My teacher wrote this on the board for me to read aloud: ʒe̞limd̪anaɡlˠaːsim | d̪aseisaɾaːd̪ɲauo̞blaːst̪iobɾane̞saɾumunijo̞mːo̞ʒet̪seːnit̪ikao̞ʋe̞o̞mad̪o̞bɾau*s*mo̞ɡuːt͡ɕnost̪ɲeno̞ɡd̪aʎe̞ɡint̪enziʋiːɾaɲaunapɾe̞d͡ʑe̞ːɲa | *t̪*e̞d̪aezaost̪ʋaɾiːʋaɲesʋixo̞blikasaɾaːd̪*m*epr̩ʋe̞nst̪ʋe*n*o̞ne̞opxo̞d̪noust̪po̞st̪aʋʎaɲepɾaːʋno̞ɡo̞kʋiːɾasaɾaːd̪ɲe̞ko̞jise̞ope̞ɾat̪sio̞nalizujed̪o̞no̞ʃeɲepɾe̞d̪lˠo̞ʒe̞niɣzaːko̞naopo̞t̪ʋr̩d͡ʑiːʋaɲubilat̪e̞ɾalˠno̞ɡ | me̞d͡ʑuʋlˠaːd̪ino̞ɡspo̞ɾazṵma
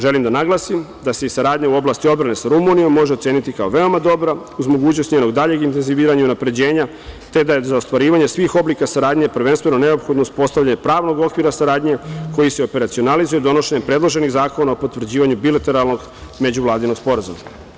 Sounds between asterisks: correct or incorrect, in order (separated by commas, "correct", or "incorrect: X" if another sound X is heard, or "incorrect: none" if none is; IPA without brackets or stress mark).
incorrect: z, correct, incorrect: ɲ, correct